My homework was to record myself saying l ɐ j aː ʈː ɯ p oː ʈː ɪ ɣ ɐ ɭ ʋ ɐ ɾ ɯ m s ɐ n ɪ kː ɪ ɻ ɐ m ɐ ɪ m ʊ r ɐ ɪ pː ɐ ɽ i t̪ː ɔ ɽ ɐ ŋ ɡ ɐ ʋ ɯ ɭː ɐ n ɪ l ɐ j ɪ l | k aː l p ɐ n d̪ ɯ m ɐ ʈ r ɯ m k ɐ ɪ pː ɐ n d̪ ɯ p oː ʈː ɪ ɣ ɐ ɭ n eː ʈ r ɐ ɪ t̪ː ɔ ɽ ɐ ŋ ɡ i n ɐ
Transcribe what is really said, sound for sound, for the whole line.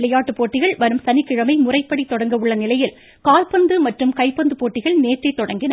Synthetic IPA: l ɐ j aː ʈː ɯ p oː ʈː ɪ ɣ ɐ ɭ ʋ ɐ ɾ ɯ m s ɐ n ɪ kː ɪ ɻ ɐ m ɐ ɪ m ʊ r ɐ ɪ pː ɐ ɽ i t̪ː ɔ ɽ ɐ ŋ ɡ ɐ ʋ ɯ ɭː ɐ n ɪ l ɐ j ɪ l | k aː l p ɐ n d̪ ɯ m ɐ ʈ r ɯ m k ɐ ɪ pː ɐ n d̪ ɯ p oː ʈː ɪ ɣ ɐ ɭ n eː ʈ r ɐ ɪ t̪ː ɔ ɽ ɐ ŋ ɡ ɪ n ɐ